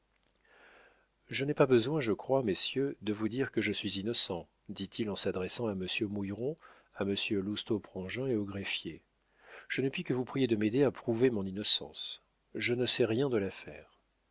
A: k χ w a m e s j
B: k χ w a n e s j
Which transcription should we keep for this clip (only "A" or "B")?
A